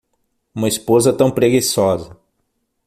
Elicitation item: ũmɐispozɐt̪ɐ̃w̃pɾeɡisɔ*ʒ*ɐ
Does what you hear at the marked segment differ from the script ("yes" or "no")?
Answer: yes